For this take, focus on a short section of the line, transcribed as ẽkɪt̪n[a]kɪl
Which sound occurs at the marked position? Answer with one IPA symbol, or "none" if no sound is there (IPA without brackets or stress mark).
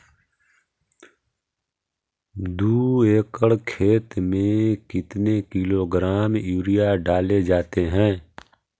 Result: e